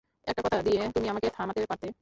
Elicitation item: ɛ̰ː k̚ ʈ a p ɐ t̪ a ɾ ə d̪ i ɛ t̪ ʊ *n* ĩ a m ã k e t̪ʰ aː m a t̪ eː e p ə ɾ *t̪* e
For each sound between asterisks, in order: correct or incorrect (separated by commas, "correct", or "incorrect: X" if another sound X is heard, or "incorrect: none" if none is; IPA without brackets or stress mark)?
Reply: incorrect: m, correct